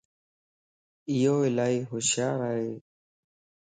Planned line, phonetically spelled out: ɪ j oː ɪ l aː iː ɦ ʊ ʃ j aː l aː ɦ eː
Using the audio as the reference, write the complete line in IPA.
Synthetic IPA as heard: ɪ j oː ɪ l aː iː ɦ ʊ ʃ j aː ɾ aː ɦ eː